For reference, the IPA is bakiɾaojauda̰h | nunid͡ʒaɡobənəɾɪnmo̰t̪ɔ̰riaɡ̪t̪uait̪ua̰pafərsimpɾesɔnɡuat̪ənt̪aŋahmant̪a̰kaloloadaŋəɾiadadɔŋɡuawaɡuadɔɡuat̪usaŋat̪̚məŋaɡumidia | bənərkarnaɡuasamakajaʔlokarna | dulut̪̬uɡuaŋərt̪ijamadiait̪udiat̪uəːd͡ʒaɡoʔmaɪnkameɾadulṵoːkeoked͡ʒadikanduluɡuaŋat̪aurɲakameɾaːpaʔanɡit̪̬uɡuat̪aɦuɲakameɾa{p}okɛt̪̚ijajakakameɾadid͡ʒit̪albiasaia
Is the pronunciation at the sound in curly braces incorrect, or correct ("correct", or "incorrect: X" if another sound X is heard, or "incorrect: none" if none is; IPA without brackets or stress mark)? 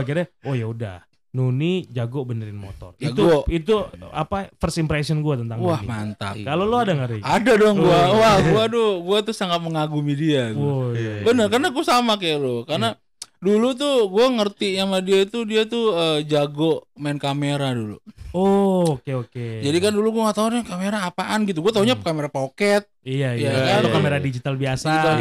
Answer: correct